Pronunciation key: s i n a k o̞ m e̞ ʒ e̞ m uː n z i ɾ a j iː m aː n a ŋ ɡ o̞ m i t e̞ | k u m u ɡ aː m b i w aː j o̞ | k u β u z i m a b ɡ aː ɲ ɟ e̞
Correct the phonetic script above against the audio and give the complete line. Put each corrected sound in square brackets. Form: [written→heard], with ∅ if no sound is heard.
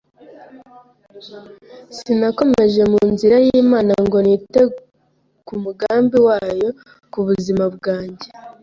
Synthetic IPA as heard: s i n a k o̞ m e̞ ʒ e̞ m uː n z i ɾ a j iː m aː n a ŋ ɡ o̞ [m→n] i t e̞ | k u m u ɡ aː m b i w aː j o̞ | k u β u z i m a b ɡ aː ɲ ɟ e̞